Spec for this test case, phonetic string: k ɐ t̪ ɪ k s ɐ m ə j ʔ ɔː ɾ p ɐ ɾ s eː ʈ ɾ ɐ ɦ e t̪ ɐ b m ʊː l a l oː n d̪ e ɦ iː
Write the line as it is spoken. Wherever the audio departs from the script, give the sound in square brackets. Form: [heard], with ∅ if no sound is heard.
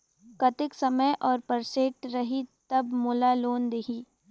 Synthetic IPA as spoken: k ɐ t̪ ɪ k s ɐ m ə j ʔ ɔː ɾ p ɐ ɾ s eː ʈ ɾ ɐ ɦ [i] t̪ ɐ b m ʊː l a l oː n d̪ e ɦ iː